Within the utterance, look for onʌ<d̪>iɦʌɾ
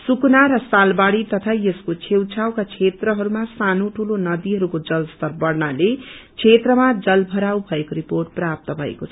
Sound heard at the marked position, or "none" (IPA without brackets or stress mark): d̪